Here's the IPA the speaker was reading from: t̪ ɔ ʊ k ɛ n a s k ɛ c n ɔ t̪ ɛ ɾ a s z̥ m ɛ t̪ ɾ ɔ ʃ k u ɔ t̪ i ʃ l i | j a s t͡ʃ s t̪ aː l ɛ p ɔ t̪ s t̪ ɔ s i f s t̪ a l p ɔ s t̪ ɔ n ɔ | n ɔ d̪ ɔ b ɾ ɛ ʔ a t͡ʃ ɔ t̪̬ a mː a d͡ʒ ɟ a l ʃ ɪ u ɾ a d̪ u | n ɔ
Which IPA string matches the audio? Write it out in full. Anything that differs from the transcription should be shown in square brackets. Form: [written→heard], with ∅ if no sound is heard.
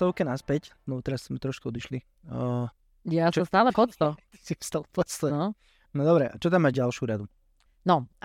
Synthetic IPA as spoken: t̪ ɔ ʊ k ɛ n a s [k→p] ɛ c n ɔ t̪ ɛ ɾ a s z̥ m ɛ t̪ ɾ ɔ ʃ k u ɔ [t̪→d̪] i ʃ l i | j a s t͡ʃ s t̪ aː l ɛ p ɔ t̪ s t̪ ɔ s i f s t̪ a l p ɔ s t̪ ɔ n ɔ | n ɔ d̪ ɔ b ɾ ɛ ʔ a t͡ʃ ɔ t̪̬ a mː a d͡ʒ ɟ a l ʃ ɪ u ɾ a d̪ u | n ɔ